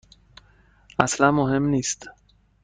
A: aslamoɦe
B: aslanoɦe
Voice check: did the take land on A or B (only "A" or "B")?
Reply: A